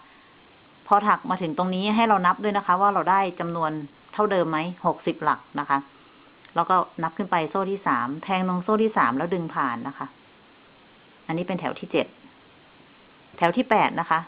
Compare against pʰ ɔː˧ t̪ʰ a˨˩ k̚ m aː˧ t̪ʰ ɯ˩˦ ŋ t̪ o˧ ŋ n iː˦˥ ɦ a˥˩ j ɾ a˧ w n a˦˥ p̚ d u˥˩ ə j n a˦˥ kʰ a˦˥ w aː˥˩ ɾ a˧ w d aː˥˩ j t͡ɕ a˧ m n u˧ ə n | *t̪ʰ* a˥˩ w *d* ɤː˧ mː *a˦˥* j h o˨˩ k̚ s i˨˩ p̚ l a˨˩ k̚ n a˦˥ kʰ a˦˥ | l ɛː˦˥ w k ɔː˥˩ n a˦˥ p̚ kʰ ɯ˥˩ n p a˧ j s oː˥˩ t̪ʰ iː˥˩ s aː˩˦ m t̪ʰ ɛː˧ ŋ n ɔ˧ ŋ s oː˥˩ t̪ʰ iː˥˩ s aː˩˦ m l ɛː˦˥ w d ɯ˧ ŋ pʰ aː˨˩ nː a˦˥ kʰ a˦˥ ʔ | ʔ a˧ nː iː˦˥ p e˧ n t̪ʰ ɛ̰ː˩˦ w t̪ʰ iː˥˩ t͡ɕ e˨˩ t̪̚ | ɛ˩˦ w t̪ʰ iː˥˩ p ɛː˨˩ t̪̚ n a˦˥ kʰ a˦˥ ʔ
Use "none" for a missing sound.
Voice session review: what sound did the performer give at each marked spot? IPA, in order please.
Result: t̪ʰ, d, a˦˥

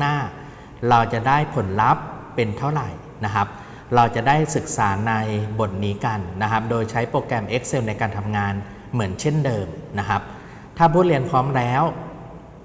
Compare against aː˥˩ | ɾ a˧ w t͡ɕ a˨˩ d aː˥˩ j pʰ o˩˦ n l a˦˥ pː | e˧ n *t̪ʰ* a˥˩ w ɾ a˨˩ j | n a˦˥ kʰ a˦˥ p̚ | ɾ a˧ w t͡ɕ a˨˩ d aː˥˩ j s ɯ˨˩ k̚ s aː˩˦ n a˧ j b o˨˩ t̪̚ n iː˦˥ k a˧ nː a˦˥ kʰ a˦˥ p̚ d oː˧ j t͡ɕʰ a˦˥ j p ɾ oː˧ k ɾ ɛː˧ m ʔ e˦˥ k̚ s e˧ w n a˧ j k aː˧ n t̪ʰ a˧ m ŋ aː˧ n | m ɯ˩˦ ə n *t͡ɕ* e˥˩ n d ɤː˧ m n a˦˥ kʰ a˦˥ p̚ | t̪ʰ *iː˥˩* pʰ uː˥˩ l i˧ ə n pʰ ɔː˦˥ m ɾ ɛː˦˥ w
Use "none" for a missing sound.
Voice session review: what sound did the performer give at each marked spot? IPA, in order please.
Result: t̪ʰ, t͡ɕʰ, aː˥˩

